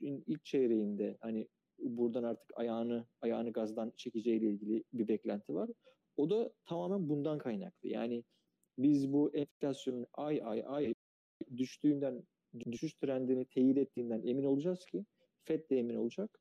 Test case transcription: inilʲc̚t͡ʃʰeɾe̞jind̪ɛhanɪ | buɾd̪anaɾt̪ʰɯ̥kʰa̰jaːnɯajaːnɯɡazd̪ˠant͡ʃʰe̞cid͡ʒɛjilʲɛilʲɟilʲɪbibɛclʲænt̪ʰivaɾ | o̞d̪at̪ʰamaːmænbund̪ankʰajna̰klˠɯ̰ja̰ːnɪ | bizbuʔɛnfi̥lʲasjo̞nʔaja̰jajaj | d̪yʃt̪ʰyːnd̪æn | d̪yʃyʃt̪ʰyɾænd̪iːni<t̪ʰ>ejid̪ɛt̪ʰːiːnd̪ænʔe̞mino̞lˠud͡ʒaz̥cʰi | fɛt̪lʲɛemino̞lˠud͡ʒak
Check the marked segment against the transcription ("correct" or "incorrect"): correct